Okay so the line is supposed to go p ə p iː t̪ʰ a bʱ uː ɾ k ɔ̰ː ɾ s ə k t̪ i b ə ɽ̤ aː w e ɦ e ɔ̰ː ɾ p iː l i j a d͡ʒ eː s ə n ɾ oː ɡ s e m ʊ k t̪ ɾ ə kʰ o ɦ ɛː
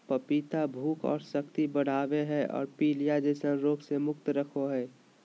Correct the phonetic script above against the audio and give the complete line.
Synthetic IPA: p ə p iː t̪ a bʱ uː k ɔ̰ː ɾ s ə k t̪ i b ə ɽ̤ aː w e ɦ ɛ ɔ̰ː ɾ p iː l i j a d͡ʒ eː s ə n ɾ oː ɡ s e m ʊ k t̪ ɾ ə kʰ o ɦ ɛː

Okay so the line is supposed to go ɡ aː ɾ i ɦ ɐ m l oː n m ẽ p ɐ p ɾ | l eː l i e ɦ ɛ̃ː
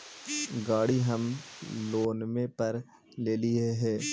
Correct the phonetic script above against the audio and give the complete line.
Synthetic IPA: ɡ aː ɽ i ɦ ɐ m l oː n m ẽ p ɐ ɾ | l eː l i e ɦ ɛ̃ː

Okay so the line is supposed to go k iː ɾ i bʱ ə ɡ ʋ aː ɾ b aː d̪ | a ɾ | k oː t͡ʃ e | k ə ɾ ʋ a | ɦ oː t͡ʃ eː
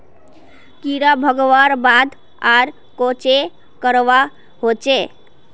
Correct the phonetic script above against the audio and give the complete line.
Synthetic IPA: k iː ɾ a bʱ ə ɡ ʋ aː ɾ b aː d̪ | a ɾ | k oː t͡ʃ e | k ə ɾ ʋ a | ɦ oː t͡ʃ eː

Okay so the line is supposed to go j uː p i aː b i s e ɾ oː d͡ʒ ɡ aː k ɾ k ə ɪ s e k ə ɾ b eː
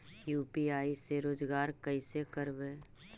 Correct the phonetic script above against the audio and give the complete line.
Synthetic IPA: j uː p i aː i s e ɾ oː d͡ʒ ɡ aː ɾ k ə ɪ s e k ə ɾ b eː

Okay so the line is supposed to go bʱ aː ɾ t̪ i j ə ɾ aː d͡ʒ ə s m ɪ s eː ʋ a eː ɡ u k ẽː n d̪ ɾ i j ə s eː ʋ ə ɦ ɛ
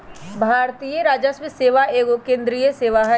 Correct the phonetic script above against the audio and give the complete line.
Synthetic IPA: bʱ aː ɾ t̪ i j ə ɾ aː d͡ʒ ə s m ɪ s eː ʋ a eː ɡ o k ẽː n d̪ ɾ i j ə s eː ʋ a ɦ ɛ

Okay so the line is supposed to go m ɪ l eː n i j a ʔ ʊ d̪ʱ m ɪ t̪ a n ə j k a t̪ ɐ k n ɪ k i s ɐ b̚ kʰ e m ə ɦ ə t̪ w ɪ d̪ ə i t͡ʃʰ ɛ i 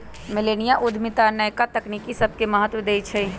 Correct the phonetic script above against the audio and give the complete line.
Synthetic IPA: m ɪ l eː n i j a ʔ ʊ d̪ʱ m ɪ t̪ a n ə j k a t̪ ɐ k n i k i s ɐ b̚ k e m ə ɦ ə t̪ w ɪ d̪ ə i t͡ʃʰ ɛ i

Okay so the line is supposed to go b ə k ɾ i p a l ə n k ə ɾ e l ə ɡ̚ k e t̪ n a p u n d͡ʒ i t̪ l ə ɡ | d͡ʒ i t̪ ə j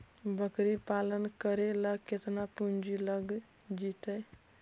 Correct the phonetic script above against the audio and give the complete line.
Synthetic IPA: b ə k ɾ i p a l ə n k ə ɾ e l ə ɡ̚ k e t̪ n a p u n d͡ʒ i l ə ɡ | d͡ʒ i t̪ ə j

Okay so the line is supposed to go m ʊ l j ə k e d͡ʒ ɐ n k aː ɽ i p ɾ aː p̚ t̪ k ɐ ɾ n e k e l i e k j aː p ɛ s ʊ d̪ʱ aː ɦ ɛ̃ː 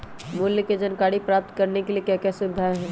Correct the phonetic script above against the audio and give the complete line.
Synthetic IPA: m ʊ l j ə k e d͡ʒ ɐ n k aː ɽ i p ɾ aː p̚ t̪ k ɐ ɾ n e k e l i e k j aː k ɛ s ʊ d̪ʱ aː ɦ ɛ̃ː

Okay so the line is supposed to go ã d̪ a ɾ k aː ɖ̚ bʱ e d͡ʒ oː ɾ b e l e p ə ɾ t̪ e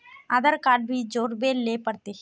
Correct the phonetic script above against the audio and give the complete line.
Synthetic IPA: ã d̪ ə ɾ k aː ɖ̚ bʱ i d͡ʒ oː ɾ b e l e p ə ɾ t̪ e

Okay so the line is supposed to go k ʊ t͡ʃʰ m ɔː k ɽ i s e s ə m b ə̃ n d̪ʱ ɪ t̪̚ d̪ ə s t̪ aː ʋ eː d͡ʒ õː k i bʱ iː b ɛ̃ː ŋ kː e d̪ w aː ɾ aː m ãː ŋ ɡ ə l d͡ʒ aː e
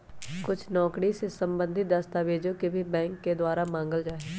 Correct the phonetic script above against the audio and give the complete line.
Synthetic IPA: k ʊ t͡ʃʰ n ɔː k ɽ i s e s ə m b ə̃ n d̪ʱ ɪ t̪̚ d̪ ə s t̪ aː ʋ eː d͡ʒ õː k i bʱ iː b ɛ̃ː ŋ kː e d̪ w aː ɾ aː m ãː ŋ ɡ ə l d͡ʒ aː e

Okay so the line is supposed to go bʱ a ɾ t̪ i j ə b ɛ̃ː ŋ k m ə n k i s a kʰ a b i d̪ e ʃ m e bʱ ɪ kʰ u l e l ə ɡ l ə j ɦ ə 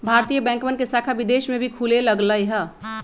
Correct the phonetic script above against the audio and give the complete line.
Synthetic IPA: bʱ a ɾ t̪ i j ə b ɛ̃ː ŋ k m ə n k e s a kʰ a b i d̪ e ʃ m e bʱ i kʰ u l e l ə ɡ l ə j ɦ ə

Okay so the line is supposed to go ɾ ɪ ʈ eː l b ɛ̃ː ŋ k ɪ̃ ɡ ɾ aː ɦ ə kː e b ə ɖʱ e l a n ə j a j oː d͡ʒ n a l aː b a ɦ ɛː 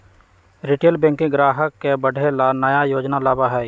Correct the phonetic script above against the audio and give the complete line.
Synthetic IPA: ɾ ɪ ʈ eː l b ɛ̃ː ŋ k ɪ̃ ɡ ɾ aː ɦ ə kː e b ə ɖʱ e l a n ə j a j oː d͡ʒ n a l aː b a ɦ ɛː

